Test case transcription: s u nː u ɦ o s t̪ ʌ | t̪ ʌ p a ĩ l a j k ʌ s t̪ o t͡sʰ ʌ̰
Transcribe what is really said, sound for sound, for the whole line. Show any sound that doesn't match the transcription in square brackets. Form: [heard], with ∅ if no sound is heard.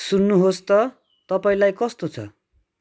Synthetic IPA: s u nː u ɦ o s t̪ ʌ | t̪ ʌ p a ĩ l a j k ʌ s t̪ o t͡sʰ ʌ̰